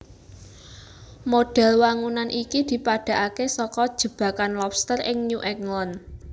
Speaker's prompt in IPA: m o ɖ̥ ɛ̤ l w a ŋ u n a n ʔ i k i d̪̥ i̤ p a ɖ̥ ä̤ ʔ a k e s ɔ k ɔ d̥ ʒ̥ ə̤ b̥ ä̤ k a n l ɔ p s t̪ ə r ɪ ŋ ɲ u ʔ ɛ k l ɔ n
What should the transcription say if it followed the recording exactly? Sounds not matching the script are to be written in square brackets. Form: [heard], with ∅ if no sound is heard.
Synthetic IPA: m o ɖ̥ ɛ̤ l w a ŋ u n a n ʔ i k i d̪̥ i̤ p a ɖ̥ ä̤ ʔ a k e s ɔ k ɔ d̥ ʒ̥ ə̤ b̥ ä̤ k a n l ɔ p s t̪ ə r ɪ ŋ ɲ u ʔ ɛ k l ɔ n